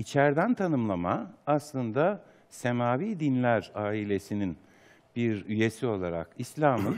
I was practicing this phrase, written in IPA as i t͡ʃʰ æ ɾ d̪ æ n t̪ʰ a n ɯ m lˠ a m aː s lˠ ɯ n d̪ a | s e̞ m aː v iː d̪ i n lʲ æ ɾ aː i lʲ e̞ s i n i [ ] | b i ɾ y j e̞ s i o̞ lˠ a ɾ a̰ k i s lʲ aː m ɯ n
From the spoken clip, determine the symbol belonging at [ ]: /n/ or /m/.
n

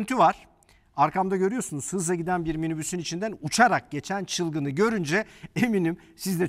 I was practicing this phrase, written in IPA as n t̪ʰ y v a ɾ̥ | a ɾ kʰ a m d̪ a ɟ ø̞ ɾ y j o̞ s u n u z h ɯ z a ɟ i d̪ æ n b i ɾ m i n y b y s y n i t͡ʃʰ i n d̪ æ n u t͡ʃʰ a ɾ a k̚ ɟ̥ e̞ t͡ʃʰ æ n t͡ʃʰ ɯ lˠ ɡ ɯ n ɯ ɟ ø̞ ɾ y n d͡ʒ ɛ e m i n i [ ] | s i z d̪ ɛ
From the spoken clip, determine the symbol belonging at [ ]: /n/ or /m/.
m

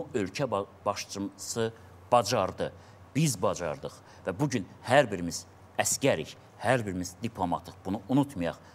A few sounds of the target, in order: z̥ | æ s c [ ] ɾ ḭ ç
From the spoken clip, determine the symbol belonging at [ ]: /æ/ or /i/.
æ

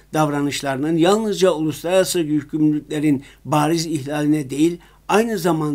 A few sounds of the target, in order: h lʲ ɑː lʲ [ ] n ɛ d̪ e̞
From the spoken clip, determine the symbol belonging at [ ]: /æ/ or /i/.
i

